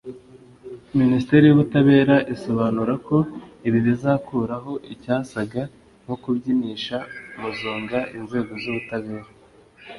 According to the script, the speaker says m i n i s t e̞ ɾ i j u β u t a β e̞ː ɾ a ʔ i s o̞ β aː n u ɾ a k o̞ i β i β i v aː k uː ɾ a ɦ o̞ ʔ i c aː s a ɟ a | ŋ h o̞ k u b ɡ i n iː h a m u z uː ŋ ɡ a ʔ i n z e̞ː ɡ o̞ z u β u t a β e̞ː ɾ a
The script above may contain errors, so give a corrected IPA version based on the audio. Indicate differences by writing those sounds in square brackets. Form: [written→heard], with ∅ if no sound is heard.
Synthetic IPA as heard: m i n i s t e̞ ɾ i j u β u t a β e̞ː ɾ a ʔ i s o̞ β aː n u ɾ a k o̞ i β i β i [v→z] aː k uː ɾ a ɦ o̞ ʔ i c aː s a [ɟ→ɡ] a | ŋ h o̞ k u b [ɡ→ɟ] i n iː [h→ʃ] a m u z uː ŋ ɡ a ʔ i n z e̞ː ɡ o̞ z u β u t a β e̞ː ɾ a